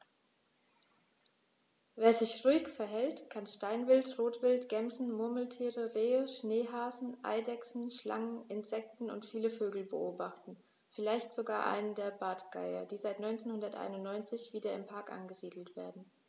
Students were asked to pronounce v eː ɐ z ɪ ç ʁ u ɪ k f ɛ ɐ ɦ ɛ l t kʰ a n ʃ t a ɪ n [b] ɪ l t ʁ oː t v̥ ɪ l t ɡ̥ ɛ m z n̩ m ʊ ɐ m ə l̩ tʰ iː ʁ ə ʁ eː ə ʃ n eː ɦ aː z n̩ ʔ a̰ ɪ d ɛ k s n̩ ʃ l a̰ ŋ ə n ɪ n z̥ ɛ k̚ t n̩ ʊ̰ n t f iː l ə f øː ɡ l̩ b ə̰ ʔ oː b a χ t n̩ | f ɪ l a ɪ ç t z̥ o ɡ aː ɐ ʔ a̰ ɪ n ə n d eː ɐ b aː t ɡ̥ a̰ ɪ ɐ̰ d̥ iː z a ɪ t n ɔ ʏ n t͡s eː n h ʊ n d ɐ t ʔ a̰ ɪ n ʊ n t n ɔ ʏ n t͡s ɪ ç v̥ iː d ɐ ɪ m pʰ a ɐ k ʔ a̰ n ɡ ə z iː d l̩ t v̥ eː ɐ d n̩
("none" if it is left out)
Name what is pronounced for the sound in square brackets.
v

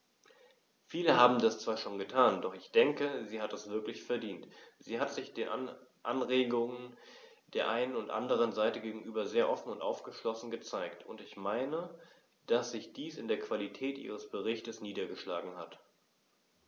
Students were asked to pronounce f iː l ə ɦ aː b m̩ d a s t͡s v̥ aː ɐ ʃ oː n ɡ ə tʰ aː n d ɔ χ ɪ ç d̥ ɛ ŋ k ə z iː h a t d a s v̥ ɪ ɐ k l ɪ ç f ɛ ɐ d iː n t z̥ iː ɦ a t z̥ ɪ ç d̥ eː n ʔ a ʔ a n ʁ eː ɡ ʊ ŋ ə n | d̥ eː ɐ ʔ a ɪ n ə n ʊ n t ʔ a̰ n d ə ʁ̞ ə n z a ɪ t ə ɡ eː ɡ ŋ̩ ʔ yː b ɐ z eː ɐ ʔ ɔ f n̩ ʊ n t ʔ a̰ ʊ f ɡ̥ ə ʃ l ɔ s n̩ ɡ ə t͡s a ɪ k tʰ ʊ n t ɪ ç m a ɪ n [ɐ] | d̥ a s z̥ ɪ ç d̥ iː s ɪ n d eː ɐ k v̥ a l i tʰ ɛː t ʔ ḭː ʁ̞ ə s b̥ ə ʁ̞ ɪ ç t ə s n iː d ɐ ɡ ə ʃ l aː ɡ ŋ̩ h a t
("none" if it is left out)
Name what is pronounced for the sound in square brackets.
ə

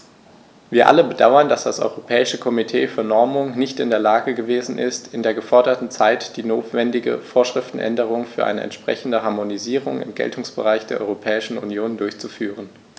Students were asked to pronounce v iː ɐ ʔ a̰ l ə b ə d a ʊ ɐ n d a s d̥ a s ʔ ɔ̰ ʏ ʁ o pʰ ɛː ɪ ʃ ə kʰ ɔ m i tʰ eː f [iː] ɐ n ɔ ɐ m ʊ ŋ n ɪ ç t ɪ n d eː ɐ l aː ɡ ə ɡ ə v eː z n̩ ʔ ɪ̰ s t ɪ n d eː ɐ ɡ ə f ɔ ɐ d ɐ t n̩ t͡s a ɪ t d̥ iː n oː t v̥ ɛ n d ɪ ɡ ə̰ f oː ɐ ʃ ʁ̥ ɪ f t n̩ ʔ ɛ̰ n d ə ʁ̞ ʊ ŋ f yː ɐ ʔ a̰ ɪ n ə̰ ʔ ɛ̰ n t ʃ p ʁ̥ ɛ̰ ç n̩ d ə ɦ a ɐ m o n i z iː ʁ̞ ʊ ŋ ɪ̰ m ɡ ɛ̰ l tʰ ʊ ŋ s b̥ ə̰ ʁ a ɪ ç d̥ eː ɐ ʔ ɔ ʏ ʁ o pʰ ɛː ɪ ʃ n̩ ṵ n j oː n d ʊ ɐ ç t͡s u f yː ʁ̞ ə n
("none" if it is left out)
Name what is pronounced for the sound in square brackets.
yː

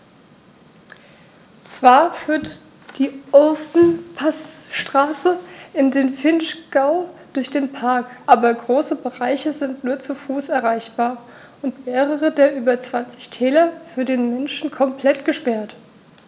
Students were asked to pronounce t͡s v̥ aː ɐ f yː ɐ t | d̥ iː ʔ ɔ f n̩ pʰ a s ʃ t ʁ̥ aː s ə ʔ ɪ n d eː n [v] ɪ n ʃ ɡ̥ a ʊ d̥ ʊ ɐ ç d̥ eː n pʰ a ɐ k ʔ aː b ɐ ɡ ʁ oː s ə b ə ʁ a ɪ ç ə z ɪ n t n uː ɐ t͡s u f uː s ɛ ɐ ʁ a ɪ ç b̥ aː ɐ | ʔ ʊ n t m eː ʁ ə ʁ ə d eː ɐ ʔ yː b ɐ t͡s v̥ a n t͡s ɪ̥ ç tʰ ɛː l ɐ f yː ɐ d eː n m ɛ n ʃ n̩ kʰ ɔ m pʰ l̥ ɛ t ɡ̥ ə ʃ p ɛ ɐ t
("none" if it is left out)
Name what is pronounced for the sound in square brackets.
f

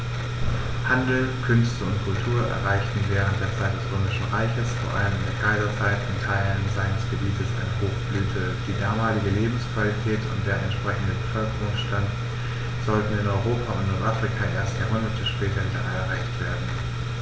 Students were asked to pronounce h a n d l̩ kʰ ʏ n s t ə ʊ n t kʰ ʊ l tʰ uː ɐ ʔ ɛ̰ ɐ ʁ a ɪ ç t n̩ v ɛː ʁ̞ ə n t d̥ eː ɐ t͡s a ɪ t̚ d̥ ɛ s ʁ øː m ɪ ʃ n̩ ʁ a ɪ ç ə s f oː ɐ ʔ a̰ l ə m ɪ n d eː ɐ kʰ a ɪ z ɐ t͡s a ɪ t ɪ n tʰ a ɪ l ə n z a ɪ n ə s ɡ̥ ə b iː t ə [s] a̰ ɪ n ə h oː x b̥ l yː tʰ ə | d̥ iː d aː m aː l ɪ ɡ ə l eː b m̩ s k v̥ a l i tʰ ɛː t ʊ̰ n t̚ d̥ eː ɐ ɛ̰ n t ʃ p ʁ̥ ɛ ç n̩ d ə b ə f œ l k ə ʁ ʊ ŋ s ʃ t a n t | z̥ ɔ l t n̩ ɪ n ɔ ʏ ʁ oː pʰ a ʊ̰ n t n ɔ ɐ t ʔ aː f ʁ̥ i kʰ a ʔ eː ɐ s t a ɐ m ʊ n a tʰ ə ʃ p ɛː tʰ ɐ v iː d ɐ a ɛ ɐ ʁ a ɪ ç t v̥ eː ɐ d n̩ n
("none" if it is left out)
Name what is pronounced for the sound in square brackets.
s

